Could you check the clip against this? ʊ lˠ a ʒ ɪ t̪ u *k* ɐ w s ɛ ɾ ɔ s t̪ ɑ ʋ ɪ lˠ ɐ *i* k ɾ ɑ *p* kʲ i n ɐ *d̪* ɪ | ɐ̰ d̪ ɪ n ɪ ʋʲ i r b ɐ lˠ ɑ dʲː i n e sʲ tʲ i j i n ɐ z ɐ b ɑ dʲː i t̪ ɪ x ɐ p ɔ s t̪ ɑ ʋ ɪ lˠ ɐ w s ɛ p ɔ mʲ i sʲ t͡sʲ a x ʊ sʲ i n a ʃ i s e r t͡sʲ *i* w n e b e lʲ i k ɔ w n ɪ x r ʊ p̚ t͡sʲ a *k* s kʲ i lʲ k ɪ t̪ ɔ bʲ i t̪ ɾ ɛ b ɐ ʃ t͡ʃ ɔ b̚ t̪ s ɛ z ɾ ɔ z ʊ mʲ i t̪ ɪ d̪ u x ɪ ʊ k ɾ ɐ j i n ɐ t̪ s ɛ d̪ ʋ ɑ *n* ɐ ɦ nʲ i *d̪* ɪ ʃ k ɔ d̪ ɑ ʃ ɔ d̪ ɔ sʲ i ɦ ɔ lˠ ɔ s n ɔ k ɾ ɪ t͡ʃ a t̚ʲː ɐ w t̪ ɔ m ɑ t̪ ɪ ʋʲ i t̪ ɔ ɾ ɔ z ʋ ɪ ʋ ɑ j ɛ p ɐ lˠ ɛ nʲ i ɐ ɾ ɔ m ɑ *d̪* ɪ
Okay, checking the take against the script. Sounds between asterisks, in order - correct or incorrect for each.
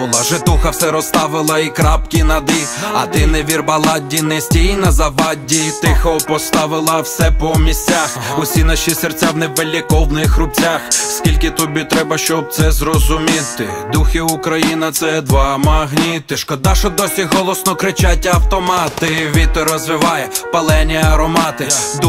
incorrect, correct, correct, correct, incorrect, incorrect, incorrect, incorrect, incorrect

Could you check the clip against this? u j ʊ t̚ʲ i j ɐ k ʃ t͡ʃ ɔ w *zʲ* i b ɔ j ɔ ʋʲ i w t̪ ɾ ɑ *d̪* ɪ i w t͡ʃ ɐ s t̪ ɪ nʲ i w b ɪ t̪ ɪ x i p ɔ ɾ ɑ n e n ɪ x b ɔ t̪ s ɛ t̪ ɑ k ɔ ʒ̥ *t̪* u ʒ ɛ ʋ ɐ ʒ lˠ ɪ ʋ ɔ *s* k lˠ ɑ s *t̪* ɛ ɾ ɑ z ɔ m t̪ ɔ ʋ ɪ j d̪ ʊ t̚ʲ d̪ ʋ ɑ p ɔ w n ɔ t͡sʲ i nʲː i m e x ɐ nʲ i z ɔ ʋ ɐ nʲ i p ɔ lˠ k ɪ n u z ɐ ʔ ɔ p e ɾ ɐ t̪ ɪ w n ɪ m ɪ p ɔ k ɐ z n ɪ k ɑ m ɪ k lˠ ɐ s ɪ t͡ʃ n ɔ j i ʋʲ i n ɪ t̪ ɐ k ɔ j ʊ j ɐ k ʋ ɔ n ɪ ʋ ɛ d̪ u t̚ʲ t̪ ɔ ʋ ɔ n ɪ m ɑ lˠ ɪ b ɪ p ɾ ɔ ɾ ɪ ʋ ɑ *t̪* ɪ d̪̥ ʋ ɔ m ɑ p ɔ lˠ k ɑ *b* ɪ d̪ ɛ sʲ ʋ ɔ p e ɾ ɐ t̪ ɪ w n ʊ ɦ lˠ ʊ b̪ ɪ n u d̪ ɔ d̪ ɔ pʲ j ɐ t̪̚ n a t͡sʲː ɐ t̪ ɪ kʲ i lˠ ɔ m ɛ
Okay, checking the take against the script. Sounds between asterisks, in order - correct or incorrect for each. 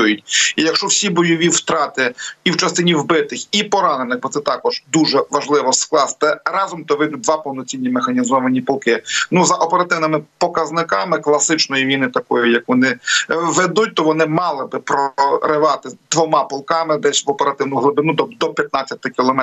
incorrect, incorrect, incorrect, correct, correct, correct, incorrect

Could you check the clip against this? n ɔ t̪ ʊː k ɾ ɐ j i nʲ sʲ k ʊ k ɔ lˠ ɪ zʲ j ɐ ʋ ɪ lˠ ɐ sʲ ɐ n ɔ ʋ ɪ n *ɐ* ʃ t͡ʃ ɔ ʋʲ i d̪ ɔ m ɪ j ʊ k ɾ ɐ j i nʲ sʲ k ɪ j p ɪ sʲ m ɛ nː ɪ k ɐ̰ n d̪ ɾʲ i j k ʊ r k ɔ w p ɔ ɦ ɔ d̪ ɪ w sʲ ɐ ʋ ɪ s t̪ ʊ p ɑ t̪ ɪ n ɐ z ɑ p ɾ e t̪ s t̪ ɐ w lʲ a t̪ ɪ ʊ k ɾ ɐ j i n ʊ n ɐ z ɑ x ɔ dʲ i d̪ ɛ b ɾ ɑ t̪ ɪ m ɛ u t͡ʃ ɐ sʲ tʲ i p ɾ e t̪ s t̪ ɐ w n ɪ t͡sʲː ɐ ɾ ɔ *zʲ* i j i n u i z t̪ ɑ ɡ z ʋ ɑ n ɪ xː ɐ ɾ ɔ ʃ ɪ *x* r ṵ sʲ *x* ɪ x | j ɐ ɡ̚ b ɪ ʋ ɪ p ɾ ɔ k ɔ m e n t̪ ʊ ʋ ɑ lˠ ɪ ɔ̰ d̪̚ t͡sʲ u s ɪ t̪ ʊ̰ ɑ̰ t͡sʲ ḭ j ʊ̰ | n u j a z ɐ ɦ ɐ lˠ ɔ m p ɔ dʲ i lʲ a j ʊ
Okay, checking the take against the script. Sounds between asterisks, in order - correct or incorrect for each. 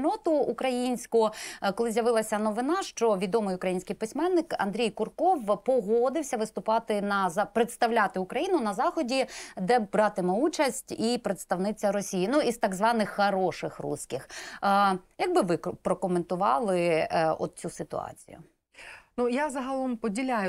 incorrect, incorrect, correct, incorrect

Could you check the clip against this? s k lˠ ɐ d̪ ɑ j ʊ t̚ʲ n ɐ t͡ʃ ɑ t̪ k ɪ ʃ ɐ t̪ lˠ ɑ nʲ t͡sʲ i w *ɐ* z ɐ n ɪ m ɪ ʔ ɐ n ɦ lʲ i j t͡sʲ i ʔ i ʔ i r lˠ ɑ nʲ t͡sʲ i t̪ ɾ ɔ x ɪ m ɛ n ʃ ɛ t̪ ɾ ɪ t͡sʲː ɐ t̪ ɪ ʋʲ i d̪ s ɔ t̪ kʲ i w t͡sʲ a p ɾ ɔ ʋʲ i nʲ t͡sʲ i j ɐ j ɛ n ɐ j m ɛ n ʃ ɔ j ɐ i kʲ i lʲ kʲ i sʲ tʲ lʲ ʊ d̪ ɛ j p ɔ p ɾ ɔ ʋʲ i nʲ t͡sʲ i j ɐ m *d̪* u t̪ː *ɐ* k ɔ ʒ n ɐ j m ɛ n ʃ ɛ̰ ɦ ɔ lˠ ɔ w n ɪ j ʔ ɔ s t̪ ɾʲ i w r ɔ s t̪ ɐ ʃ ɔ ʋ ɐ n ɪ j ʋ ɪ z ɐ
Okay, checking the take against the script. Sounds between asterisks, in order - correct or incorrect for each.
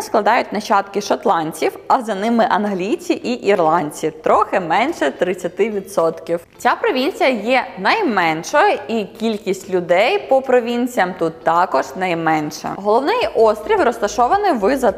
correct, incorrect, incorrect

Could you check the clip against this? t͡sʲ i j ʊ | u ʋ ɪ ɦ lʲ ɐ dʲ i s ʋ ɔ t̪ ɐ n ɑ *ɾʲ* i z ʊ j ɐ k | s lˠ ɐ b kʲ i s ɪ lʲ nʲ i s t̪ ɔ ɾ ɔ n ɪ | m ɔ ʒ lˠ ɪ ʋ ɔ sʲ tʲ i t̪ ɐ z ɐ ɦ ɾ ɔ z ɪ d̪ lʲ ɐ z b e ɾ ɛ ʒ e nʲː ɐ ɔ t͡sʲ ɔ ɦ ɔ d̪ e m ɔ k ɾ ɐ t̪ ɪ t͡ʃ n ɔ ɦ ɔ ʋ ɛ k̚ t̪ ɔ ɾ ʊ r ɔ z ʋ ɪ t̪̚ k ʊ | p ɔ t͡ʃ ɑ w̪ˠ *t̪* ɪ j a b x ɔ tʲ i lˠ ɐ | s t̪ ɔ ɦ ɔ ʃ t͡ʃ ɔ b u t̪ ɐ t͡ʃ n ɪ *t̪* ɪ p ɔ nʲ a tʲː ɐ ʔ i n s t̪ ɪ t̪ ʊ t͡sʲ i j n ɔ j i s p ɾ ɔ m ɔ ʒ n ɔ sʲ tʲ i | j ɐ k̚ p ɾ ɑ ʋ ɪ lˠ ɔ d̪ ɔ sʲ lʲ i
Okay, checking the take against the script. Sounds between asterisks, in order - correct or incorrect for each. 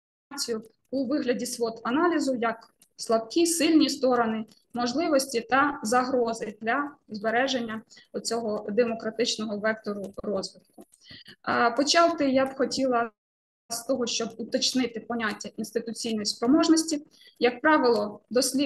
incorrect, correct, correct

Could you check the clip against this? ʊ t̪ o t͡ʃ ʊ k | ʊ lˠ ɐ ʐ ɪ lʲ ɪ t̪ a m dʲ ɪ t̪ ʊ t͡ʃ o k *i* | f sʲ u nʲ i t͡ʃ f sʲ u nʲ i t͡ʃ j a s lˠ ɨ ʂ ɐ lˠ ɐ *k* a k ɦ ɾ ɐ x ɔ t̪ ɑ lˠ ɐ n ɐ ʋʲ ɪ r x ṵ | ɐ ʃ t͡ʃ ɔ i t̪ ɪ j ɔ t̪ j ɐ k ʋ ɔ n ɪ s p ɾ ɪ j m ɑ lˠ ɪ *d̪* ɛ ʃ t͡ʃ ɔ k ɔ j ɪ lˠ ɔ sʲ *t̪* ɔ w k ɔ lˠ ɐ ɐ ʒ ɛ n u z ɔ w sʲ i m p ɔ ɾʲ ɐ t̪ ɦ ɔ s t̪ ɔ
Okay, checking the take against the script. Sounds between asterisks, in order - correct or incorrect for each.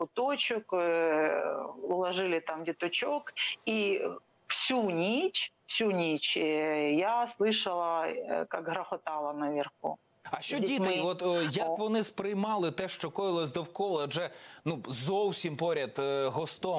correct, correct, incorrect, incorrect

